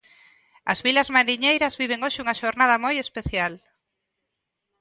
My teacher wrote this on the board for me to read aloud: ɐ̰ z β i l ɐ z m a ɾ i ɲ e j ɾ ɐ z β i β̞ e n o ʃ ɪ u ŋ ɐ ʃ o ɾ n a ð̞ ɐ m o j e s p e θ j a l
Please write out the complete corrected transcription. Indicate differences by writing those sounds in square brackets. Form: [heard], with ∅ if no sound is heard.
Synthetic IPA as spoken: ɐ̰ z β i l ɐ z m a ɾ i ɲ e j ɾ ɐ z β i β̞ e [ŋ] o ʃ ɪ u ŋ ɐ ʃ o ɾ n a ð̞ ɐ m o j e s p e θ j a l

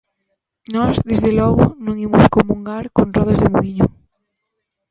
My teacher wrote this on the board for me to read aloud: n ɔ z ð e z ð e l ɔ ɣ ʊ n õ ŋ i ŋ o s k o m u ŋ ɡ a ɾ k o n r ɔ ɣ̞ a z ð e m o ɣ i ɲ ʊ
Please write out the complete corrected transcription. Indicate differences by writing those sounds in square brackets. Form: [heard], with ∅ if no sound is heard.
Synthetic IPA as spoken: n ɔ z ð e z ð e l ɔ ɣ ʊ n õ ŋ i [m] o s k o m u ŋ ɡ a ɾ k o n r ɔ [ð̞] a z ð e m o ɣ i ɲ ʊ

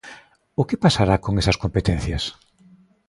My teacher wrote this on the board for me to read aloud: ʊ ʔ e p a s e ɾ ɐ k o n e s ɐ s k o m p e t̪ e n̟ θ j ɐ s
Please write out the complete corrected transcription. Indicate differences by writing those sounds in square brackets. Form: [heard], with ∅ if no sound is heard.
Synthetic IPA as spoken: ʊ [k] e p a s [a] ɾ [a] k o [ŋ] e s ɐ s k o m p e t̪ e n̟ θ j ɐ s

